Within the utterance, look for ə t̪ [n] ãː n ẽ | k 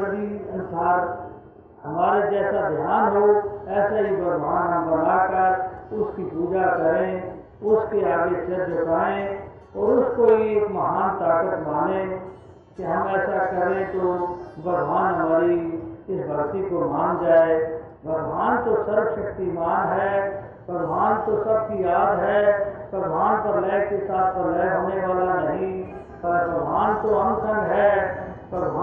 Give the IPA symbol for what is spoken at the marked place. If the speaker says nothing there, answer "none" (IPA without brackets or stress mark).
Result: m